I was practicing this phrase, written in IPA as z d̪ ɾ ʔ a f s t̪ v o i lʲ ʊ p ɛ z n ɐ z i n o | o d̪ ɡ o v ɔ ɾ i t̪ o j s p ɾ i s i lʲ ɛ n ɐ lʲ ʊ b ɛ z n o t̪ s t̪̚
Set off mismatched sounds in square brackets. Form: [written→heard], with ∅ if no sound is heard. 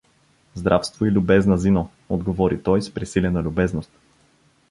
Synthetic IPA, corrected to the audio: z d̪ ɾ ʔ a f s t̪ v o i lʲ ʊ [p→b] ɛ z n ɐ z i n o | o d̪ ɡ o v ɔ ɾ i t̪ [o→ɔ] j s p ɾ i s i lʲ ɛ n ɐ lʲ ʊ b ɛ z n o [t̪→∅] s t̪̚